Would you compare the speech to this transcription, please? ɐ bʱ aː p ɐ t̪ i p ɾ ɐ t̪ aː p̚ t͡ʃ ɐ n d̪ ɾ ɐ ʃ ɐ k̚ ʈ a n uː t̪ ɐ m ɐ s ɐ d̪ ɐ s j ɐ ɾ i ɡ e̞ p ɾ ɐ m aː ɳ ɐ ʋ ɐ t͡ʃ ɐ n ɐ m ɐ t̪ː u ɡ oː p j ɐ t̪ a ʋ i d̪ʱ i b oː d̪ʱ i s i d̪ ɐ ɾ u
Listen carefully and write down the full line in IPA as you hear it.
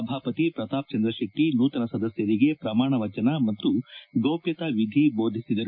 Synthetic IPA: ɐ bʱ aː p ɐ t̪ i p ɾ ɐ t̪ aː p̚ t͡ʃ ɐ n d̪ ɾ ɐ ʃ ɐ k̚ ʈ i n uː t̪ ɐ n ɐ s ɐ d̪ ɐ s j ɐ ɾ i ɡ e̞ p ɾ ɐ m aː ɳ ɐ ʋ ɐ t͡ʃ ɐ n ɐ m ɐ t̪ː u ɡ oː p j ɐ t̪ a ʋ i d̪ʱ i b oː d̪ʱ i s i d̪ ɐ ɾ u